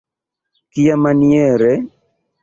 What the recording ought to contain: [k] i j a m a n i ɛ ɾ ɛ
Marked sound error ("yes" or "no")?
no